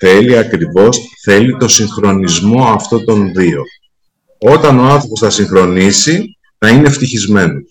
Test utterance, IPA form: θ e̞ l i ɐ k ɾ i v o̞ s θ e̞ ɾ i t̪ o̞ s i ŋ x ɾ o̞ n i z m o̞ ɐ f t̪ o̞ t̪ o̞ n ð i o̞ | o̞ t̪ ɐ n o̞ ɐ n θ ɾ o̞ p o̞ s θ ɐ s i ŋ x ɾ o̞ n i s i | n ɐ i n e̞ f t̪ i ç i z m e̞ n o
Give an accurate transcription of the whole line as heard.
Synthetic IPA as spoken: θ e̞ l i ɐ k ɾ i v o̞ s θ e̞ l i t̪ o̞ s i ŋ x ɾ o̞ n i z m o̞ ɐ f t̪ o̞ t̪ o̞ n ð i o̞ | o̞ t̪ ɐ n o̞ ɐ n θ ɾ o̞ p o̞ s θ ɐ s i ŋ x ɾ o̞ n i s i | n ɐ i n e̞ f t̪ i ç i z m e̞ n o